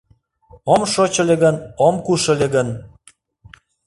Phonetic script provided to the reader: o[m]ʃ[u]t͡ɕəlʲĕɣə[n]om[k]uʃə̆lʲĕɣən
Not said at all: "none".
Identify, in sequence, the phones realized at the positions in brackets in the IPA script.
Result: m, o, n, k

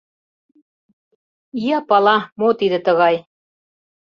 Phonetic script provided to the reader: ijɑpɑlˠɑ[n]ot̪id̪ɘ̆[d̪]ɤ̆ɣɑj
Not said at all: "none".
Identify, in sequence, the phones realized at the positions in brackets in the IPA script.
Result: m, t̪

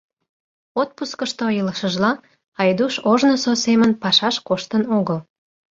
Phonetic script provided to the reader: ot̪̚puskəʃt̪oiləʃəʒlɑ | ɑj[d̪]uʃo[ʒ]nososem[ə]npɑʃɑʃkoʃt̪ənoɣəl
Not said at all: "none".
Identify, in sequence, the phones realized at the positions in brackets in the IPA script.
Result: d̪, ʒ, ə

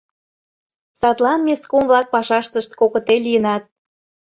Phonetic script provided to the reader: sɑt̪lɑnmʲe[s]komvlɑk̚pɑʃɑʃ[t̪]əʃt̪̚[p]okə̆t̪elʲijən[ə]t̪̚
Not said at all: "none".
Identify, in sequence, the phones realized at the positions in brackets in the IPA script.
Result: s, t̪, k, ɑ

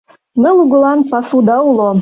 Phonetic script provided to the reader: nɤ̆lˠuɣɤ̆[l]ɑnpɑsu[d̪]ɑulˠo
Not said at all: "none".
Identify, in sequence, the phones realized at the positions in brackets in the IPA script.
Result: l, d̪

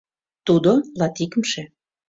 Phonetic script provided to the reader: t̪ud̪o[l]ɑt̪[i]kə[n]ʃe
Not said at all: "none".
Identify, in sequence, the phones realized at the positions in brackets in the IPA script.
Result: l, i, m

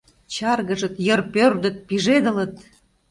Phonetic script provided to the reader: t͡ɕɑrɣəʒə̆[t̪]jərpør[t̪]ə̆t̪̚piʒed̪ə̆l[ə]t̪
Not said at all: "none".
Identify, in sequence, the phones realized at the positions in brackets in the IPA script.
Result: t̪, d̪, ə

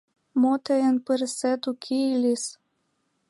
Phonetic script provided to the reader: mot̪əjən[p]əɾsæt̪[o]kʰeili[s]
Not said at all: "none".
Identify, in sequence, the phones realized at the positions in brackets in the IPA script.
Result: p, u, s

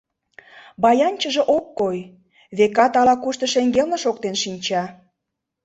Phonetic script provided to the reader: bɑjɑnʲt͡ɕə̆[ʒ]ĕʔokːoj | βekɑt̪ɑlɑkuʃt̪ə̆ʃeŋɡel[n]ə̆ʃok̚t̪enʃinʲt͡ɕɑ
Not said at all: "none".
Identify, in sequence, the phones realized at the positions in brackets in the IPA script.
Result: ʒ, n

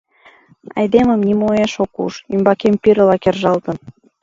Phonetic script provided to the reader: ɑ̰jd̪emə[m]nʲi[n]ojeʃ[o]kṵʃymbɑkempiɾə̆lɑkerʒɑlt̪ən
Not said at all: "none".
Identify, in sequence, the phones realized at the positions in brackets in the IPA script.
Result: m, m, o

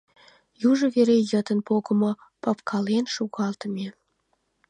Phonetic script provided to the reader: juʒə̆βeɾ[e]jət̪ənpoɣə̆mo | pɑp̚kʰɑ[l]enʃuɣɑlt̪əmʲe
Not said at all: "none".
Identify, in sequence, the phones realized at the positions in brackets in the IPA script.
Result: e, l

